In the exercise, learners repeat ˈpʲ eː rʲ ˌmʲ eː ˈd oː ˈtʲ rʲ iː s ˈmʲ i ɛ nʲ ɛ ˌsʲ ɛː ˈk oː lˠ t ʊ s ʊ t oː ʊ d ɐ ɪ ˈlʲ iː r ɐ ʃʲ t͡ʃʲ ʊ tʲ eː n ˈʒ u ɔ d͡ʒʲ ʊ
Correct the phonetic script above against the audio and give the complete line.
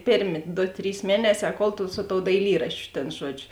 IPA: ˈpʲ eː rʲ ˌmʲ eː ˈd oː ˈtʲ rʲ iː s ˈmʲ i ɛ nʲ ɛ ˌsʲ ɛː ˈk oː lˠ t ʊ s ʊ t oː ʊ d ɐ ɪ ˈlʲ iː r ɐ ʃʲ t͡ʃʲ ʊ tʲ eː n ˈʒ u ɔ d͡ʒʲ ʊ

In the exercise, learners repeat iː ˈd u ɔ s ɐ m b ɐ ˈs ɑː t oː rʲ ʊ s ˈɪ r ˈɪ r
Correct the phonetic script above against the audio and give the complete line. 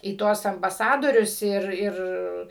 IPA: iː ˈt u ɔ s ɐ m b ɐ ˈs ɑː d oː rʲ ʊ s ˈɪ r ˈɪ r

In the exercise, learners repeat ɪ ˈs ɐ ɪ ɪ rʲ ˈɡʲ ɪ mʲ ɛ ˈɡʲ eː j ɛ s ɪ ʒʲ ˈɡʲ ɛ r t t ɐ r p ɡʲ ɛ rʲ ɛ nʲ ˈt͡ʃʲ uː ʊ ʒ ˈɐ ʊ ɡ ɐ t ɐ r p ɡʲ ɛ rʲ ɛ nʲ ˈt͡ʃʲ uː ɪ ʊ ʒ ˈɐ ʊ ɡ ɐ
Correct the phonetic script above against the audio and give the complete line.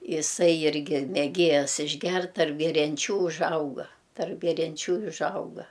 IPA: ɪ ˈs ɐ ɪ ɪ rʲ ˈɡʲ ɪ mʲ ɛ ˈɡʲ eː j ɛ s ɪ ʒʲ ˈɡʲ ɛ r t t ɐ r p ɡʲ ɛ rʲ ɛ nʲ ˈt͡ʃʲ uː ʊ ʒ ˈɐ ʊ ɡ ɐ t ɐ r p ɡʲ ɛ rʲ ɛ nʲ ˈt͡ʃʲ uː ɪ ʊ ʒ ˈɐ ʊ ɡ ɐ

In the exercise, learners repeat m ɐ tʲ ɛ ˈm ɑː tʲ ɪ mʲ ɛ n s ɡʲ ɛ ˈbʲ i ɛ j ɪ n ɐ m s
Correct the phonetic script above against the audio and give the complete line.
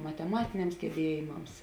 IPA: m ɐ tʲ ɛ ˈm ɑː tʲ ɪ nʲ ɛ m s ɡʲ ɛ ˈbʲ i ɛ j ɪ m ɐ m s

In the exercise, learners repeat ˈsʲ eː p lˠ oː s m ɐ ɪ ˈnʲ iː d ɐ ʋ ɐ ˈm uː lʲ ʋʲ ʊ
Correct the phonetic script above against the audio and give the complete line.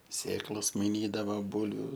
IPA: ˈsʲ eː k lˠ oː s m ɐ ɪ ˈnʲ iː d ɐ ʋ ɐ ˈb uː lʲ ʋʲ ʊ

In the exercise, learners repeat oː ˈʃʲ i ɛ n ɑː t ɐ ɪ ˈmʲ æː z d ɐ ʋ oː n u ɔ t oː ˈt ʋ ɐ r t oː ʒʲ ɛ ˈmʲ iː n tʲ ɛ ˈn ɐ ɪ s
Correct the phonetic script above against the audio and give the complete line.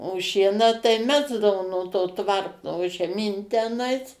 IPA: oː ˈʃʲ i ɛ n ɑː t ɐ ɪ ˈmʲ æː z d ɐ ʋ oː n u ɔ t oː ˈt ʋ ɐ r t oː ʒʲ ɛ ˈmʲ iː n tʲ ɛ ˈn ɐ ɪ s

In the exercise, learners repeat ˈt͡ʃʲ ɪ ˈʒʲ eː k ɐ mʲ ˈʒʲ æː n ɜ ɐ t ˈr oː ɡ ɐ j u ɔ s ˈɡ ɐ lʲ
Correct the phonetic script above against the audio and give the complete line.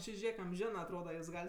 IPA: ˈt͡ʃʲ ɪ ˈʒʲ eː k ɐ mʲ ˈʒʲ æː n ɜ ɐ t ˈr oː d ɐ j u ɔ s ˈɡ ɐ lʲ

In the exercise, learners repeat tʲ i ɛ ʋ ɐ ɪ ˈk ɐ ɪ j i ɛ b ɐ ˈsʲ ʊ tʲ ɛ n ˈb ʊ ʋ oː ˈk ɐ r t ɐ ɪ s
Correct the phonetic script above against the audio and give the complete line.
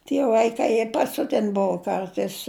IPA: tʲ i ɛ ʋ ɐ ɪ ˈk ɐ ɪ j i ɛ p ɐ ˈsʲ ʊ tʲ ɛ n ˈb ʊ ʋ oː ˈk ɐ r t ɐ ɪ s

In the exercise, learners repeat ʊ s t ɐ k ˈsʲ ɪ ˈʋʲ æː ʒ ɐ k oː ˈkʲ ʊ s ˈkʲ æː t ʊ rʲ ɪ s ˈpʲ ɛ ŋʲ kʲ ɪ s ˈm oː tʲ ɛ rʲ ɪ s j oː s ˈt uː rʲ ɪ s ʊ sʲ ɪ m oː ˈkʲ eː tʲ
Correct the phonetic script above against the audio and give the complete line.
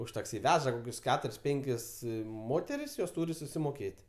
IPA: ʊ ʃ t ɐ k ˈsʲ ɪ ˈʋʲ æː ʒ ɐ k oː ˈkʲ ʊ s ˈkʲ æː t ʊ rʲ ɪ s ˈpʲ ɛ ŋʲ kʲ ɪ s ˈm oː tʲ ɛ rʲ ɪ s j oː s ˈt uː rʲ ɪ s ʊ sʲ ɪ m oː ˈkʲ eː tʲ

